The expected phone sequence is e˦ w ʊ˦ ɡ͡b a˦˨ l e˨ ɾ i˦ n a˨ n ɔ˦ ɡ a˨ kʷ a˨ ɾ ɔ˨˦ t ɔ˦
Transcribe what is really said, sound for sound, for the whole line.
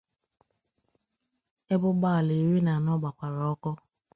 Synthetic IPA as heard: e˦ b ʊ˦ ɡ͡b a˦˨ l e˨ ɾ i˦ n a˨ n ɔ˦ ɡ͡b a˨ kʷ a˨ ɾ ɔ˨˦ k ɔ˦